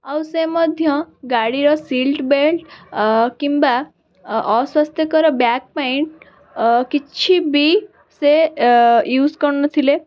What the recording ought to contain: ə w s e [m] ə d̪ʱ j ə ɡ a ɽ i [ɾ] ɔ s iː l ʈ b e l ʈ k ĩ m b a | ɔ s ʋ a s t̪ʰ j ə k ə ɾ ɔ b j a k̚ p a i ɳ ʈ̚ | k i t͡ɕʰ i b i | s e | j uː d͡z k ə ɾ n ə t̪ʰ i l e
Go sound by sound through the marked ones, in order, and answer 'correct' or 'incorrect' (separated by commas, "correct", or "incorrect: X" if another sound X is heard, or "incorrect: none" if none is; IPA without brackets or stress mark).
correct, correct